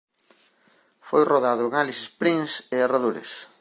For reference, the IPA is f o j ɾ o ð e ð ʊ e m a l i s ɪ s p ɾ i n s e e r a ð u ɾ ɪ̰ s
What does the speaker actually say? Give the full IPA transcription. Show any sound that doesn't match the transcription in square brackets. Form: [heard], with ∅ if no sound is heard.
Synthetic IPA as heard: f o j [r] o ð [a] ð ʊ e [ŋ] a l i s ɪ s p ɾ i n s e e r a ð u ɾ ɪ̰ s